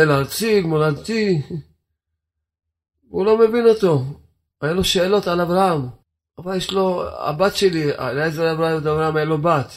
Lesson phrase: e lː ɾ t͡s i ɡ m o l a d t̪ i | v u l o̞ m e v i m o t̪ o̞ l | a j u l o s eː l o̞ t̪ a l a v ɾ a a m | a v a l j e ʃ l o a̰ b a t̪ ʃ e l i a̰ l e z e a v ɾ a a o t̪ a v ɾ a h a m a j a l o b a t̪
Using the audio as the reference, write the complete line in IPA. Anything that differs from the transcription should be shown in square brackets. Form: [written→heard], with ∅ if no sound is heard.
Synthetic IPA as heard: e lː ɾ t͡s i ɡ m o l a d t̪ i | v u l o̞ m e v i [m→n] o t̪ o̞ [l→∅] | a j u l o [s→ʃ] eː l o̞ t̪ a l a v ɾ a a m | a v a l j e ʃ l o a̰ b a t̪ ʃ e l i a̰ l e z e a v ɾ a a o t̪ a v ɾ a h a m a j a l o b a t̪